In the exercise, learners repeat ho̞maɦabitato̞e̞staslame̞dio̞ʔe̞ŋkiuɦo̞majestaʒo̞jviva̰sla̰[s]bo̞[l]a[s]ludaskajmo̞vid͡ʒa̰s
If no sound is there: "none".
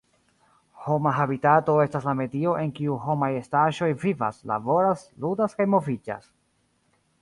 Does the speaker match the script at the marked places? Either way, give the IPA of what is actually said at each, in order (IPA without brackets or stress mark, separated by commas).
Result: none, ɾ, s